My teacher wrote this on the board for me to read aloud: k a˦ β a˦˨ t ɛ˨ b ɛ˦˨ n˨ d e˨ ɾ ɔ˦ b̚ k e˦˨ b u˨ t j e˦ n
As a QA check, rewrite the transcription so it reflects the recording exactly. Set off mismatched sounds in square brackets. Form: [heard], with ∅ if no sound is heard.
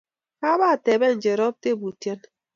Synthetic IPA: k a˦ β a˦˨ t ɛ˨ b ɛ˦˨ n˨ [d͡ʒ] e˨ ɾ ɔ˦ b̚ [t] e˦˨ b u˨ t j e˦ n